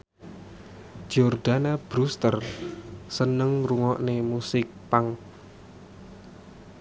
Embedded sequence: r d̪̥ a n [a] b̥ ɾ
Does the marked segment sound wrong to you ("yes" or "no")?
no